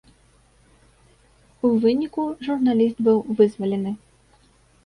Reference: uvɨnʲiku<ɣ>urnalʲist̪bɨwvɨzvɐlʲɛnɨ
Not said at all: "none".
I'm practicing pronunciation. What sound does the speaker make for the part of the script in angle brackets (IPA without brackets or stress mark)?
ʐ